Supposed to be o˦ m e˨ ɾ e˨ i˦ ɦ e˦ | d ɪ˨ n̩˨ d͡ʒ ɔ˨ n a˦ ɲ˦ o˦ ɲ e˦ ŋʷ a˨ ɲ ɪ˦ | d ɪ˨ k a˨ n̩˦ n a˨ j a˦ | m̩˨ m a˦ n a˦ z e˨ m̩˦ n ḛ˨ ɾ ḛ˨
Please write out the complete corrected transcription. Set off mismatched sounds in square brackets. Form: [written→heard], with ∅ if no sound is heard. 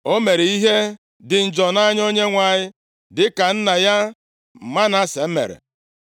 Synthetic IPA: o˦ m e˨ ɾ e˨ i˦ ɦ e˦ | d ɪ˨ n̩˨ d͡ʒ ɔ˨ n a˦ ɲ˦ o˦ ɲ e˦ ŋʷ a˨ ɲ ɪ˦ | d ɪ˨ k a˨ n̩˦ n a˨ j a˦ | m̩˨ m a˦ n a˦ [z→s] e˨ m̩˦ [n→m] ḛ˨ ɾ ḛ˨